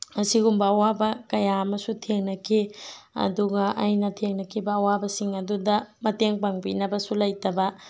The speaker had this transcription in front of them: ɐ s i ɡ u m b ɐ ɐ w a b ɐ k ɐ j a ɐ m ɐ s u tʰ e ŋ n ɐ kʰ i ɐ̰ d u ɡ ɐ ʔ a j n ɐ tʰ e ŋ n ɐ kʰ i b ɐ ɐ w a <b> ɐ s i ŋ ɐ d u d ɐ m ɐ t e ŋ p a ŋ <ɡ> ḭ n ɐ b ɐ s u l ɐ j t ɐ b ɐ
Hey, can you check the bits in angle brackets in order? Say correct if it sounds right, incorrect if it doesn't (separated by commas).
correct, incorrect